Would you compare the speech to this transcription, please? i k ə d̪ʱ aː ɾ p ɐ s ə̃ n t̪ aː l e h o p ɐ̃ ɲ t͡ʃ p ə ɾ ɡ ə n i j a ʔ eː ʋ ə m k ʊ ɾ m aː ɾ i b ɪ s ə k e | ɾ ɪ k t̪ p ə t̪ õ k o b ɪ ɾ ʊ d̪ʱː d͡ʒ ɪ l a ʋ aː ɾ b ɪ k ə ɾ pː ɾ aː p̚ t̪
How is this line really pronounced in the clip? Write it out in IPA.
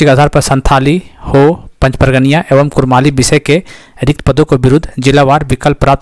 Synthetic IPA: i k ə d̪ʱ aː ɾ p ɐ s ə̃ n t̪ʰ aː l i h o p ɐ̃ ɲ t͡ʃ p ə ɾ ɡ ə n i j a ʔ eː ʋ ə m k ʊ ɾ m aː l i b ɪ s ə k e | ɾ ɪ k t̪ p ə d̪ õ k o b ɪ ɾ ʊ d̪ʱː d͡ʒ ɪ l a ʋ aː ɾ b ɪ k ə l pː ɾ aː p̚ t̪